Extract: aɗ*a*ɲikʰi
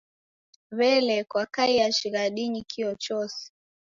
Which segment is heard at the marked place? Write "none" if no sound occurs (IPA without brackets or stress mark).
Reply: i